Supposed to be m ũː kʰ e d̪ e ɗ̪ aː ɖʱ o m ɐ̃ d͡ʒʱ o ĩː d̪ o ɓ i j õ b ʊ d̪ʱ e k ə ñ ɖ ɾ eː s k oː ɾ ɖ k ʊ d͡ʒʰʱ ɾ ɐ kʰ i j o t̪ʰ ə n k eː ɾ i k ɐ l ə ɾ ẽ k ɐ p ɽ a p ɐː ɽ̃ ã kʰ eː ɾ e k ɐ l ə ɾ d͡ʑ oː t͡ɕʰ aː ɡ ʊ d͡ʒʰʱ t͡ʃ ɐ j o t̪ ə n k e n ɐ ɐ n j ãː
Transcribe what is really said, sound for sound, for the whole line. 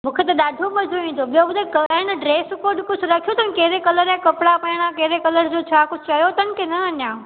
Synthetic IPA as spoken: m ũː kʰ e t̪ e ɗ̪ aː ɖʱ o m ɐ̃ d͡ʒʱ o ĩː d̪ o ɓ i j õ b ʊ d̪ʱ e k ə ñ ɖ ɾ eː s k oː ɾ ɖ k ʊ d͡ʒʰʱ ɾ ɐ kʰ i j o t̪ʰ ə n k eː ɾ e k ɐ l ə ɾ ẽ k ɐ p ɽ a p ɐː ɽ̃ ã k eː ɾ e k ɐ l ə ɾ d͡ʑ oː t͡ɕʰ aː k ʊ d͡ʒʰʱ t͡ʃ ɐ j o t̪ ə n k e n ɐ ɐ n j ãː